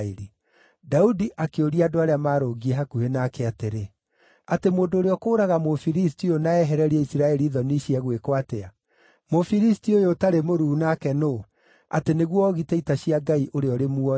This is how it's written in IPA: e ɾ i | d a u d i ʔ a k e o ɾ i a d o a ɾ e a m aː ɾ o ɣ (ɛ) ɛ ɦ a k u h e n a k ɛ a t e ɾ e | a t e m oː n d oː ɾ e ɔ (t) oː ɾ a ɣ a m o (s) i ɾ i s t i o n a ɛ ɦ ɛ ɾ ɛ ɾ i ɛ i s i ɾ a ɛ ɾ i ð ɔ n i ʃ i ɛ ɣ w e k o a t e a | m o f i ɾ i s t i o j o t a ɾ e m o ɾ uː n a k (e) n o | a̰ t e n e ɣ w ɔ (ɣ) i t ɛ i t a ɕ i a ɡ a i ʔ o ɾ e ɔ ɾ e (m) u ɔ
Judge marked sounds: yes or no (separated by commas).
no, no, no, no, yes, yes